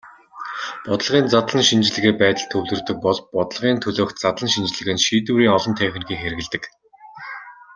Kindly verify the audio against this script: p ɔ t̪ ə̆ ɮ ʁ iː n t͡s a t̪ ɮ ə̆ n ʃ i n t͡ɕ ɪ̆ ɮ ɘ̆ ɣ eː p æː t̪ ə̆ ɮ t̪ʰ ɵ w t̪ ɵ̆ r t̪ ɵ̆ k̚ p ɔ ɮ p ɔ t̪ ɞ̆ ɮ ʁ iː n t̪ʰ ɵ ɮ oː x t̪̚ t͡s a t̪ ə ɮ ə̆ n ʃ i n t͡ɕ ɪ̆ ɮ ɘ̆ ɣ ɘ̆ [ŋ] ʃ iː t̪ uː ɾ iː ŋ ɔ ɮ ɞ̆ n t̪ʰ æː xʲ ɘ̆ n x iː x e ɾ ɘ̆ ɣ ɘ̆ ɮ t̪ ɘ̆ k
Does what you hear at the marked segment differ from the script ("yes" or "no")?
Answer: yes